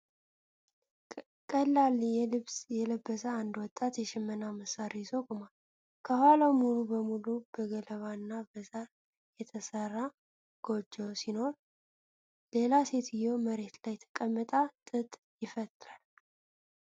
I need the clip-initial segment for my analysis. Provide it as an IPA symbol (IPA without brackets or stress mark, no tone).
kʼ